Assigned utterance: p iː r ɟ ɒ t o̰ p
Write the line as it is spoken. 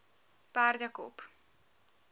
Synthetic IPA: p aː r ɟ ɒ k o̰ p